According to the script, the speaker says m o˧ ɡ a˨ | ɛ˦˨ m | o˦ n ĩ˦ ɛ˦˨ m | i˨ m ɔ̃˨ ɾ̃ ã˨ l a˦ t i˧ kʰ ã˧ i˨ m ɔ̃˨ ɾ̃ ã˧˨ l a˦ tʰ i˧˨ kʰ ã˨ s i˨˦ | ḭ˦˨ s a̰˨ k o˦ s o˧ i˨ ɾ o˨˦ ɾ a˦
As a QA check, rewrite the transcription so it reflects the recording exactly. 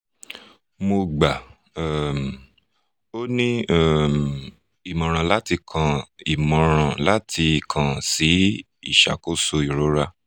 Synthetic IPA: m o˧ ɡ͡b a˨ | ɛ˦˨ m | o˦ n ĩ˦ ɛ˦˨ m | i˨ m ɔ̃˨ ɾ̃ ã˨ l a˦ t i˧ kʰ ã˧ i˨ m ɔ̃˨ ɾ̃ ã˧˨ l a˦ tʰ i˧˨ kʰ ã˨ s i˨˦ | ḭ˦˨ ʃ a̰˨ k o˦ s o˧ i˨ ɾ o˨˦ ɾ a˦

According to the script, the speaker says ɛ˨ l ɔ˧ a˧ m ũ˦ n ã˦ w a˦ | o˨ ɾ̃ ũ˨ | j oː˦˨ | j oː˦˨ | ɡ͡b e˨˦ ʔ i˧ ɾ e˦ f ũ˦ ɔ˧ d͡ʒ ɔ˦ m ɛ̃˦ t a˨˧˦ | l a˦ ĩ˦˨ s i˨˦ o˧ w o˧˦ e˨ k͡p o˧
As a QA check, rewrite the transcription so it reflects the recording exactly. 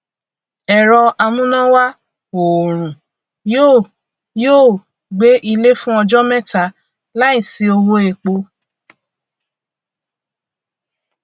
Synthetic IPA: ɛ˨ ɾ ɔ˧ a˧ m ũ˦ n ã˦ w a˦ | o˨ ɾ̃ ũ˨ | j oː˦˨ | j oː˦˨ | ɡ͡b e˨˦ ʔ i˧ l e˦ f ũ˦ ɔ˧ d͡ʒ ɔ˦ m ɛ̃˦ t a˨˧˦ | l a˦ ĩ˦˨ s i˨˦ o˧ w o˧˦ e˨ k͡p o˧

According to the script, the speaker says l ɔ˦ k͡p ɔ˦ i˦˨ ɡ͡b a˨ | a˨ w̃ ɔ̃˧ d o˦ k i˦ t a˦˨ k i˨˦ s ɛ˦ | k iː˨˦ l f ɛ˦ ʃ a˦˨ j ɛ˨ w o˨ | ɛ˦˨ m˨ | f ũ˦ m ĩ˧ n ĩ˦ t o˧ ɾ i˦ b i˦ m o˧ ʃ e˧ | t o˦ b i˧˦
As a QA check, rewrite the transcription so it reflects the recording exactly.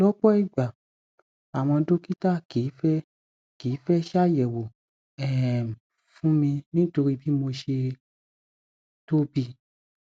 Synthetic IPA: l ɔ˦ k͡p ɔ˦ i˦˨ ɡ͡b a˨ | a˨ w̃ ɔ̃˧ d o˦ k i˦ t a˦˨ k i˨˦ f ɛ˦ | k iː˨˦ f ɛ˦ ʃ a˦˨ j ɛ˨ w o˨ | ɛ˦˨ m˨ | f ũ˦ m ĩ˧ n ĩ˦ t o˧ ɾ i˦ b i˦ m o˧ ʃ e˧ | t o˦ b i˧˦

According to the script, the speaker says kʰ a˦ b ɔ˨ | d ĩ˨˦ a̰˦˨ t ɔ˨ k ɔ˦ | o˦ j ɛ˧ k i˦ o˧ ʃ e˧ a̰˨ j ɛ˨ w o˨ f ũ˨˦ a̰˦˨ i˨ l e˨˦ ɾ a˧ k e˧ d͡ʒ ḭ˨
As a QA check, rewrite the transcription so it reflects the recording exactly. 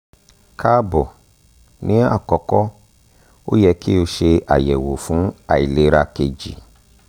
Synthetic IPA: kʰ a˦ b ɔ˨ | n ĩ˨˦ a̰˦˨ k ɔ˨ k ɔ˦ | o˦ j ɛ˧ k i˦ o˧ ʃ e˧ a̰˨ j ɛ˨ w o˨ f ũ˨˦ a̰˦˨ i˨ l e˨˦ ɾ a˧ k e˧ d͡ʒ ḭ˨

